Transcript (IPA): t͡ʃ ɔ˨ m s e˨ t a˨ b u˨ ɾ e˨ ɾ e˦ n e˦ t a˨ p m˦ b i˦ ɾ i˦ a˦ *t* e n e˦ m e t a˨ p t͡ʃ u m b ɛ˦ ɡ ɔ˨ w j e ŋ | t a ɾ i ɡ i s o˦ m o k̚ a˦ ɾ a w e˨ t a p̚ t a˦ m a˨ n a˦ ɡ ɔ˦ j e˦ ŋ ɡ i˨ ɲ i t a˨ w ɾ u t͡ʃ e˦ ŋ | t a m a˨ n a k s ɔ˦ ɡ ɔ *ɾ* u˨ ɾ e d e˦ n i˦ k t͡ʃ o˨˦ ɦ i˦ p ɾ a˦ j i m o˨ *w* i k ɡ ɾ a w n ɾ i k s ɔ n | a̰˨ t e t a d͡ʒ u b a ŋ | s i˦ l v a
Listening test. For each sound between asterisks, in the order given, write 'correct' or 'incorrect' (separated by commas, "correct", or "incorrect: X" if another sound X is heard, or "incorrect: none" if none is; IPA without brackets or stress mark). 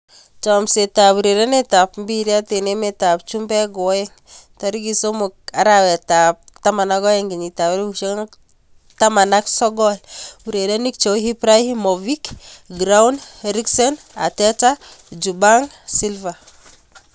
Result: correct, incorrect: l, incorrect: v